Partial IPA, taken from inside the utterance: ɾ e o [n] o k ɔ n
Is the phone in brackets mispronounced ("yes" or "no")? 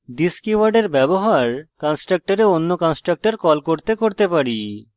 yes